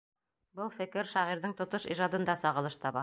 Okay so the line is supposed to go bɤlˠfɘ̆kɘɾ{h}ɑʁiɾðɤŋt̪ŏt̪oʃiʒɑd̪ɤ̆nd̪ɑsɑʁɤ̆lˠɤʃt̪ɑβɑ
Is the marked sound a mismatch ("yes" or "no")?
yes